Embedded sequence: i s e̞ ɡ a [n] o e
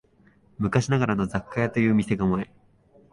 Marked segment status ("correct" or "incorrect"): incorrect